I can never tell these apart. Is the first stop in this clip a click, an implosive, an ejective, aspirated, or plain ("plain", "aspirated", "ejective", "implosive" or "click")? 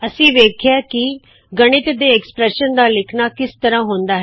aspirated